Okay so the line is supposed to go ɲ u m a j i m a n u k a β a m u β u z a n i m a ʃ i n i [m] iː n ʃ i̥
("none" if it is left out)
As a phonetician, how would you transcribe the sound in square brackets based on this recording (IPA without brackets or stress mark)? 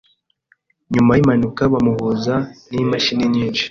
ɲ